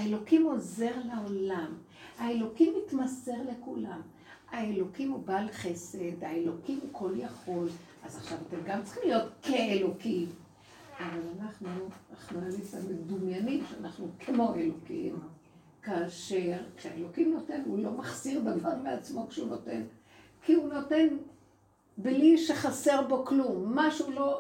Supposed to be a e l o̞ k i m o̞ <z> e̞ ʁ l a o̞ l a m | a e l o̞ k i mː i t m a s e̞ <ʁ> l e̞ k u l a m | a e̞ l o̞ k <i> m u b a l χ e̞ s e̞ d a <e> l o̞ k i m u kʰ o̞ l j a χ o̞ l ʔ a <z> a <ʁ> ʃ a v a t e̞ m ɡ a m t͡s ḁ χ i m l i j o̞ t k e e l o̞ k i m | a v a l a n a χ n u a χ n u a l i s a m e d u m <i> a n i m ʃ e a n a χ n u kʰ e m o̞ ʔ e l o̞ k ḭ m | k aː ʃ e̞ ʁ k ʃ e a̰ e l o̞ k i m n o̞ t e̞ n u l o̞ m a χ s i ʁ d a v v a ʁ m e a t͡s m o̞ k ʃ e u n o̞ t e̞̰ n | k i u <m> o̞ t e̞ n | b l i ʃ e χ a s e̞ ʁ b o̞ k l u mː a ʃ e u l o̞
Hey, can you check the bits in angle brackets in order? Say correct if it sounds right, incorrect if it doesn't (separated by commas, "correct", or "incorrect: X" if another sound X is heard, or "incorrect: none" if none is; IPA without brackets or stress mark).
correct, correct, correct, correct, correct, incorrect: χ, incorrect: j, incorrect: n